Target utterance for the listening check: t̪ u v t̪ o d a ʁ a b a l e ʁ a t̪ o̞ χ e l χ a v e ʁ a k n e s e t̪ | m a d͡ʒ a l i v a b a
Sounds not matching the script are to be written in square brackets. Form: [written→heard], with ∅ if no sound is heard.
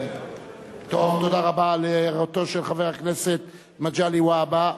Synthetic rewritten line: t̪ [u→o] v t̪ o d a ʁ a b a l e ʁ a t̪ o̞ [χ→ʃ] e l χ a v e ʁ a k n e s e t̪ | m a d͡ʒ a l i [v→w] a b a